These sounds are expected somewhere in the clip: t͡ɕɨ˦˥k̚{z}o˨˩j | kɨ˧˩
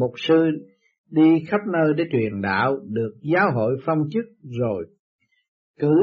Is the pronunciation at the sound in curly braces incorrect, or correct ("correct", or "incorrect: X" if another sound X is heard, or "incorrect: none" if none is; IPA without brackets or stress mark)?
correct